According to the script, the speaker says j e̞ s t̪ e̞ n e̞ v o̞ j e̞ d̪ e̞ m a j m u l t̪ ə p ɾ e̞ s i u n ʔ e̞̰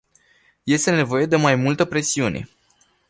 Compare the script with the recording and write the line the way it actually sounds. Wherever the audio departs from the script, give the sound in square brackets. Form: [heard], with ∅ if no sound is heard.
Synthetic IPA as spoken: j e̞ s t̪ e̞ n e̞ v o̞ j e̞ d̪ e̞ m a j m u l t̪ ə p ɾ e̞ s i u n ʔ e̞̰

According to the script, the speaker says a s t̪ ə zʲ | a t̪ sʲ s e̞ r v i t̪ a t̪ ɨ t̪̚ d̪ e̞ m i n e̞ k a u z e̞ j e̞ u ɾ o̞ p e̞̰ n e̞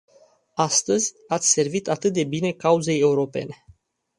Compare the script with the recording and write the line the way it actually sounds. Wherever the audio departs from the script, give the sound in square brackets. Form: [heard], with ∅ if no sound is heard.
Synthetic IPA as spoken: a s t̪ ə zʲ | a t̪ sʲ s e̞ r v i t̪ a t̪ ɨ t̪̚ d̪ e̞ [b] i n e̞ k a u z e̞ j e̞ u ɾ o̞ p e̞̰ n e̞

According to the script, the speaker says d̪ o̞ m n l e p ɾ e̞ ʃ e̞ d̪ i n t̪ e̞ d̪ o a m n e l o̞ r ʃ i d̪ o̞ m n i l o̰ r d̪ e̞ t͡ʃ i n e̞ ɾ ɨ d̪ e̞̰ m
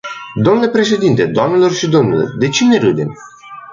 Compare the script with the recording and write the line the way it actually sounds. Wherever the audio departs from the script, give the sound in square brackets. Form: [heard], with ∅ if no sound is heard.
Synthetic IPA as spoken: d̪ o̞ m n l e p ɾ e̞ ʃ e̞ d̪ i n t̪ e̞ d̪ o a m n e l o̞ r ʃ i d̪ o̞ m n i l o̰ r d̪ e̞ t͡ʃ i n e̞ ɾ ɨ d̪ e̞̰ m

